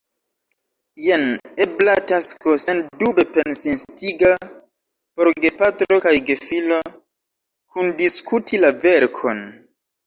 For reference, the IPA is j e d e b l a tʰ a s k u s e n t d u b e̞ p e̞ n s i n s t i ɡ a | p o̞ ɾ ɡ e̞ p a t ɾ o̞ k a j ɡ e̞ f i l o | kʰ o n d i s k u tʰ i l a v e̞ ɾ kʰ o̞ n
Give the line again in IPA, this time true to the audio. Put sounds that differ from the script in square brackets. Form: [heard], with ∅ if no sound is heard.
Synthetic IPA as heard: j e [n] e b l a [t] a s k [o] s e n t d u b e̞ p e̞ n s i n s t i ɡ a | p o̞ ɾ ɡ e̞ p a t ɾ o̞ k a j ɡ e̞ f i l o | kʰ [u] n d i s k u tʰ i l a v e̞ ɾ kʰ o̞ n